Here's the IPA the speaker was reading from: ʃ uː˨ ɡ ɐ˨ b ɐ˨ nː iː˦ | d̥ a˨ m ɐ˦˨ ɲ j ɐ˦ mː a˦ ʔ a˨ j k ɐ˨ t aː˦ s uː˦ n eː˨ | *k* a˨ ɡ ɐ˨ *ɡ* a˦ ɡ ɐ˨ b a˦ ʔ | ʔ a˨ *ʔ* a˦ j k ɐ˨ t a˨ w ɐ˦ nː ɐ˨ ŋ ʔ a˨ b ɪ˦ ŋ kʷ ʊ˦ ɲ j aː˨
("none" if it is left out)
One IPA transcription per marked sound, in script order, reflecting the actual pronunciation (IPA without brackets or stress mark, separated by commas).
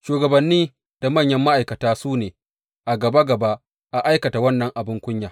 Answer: ʔ, b, ʔ